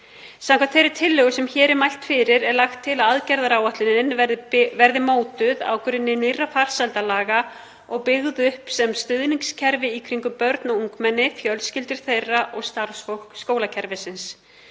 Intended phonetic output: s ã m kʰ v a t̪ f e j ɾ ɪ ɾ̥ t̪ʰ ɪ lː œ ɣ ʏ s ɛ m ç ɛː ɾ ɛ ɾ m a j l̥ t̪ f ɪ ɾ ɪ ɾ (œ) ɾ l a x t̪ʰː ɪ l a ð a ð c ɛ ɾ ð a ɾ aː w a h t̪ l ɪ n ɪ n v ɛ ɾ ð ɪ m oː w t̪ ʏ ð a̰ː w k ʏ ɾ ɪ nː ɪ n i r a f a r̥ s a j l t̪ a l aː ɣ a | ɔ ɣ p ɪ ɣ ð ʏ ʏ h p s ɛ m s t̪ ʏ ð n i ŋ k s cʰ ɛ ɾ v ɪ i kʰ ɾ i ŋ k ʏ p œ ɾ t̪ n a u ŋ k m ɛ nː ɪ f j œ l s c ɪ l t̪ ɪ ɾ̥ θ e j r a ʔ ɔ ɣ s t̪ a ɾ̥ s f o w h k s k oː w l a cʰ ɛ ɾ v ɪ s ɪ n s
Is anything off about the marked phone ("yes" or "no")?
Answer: yes